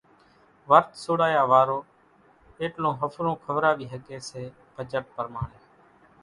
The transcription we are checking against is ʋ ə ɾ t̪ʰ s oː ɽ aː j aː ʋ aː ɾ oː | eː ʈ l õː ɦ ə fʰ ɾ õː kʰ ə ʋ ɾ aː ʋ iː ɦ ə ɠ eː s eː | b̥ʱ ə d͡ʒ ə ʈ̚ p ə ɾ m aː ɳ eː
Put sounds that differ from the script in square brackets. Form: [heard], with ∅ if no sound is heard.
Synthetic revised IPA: ʋ ə ɾ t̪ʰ s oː ɽ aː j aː ʋ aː ɾ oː | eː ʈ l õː ɦ ə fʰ ɾ õː kʰ ə ʋ ɾ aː ʋ iː ɦ ə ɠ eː s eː | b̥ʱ ə d͡ʒ ə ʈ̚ p ə ɾ m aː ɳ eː